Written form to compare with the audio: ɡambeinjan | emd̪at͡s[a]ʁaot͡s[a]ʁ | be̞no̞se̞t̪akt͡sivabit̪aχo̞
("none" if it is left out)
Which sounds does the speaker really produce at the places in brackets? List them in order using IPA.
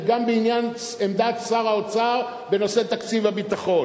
a, a

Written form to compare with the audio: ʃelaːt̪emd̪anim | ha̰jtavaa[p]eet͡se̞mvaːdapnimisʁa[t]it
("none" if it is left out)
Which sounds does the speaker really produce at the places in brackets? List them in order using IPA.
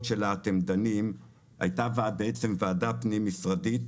b, d

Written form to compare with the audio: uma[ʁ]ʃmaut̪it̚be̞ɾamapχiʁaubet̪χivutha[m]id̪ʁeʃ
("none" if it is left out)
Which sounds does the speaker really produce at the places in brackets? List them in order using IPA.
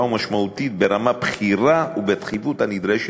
none, n

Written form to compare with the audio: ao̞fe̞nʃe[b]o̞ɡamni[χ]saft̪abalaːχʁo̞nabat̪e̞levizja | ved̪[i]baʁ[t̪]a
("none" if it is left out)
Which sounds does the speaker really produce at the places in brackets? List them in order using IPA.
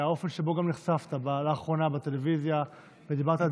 b, χ, i, t̪

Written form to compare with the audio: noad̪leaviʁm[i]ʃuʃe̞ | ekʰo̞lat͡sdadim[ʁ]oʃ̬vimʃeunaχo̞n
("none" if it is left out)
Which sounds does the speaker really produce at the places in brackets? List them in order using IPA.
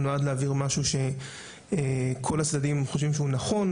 a, χ

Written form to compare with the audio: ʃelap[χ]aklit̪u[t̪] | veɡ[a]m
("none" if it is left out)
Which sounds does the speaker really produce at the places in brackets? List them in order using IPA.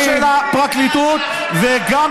ʁ, t̪, a

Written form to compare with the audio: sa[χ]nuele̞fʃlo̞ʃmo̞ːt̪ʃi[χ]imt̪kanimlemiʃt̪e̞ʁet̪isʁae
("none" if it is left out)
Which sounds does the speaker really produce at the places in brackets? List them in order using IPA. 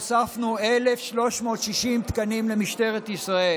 f, ʃ

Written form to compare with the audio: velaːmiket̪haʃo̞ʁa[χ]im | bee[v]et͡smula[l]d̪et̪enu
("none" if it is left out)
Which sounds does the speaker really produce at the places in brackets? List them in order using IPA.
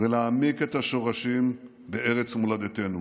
ʃ, ʁ, none

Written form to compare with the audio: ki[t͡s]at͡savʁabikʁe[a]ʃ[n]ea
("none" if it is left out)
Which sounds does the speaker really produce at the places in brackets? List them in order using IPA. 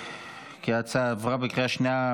none, a, n

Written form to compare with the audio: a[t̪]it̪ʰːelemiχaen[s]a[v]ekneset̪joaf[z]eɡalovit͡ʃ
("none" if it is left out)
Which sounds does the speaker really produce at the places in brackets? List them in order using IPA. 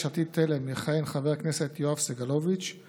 t̪, χ, v, s

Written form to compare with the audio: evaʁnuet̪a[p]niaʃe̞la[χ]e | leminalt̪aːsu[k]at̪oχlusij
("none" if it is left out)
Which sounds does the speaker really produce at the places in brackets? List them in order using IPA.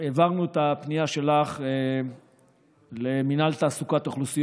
p, χ, k

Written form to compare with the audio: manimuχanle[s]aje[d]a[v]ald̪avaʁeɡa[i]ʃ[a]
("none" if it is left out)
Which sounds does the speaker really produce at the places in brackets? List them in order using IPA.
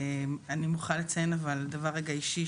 t͡s, n, v, i, i

